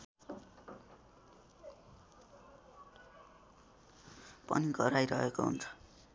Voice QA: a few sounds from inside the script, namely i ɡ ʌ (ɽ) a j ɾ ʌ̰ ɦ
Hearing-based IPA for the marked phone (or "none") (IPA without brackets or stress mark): ɾ